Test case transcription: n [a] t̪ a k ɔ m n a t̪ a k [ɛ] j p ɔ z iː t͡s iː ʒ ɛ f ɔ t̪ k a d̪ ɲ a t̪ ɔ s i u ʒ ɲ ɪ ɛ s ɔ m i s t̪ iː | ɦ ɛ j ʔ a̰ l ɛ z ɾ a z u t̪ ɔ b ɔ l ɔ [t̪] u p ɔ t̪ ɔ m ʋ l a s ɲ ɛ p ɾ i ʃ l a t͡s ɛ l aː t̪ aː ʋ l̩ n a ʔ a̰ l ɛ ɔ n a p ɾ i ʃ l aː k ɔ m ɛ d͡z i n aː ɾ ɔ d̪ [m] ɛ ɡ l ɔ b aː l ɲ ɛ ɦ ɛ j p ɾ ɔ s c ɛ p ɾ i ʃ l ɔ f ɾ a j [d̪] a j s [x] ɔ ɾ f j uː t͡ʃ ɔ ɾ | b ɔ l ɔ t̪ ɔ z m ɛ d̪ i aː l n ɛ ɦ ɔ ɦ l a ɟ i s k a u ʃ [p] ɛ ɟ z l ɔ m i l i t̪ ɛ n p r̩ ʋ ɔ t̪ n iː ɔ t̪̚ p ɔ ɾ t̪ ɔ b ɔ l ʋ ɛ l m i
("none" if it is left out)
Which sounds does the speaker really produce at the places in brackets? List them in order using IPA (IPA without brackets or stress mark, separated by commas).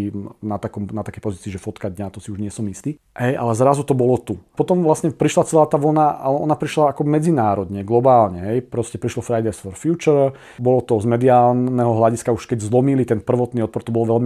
a, ɛ, t̪, ɲ, d̪, f, k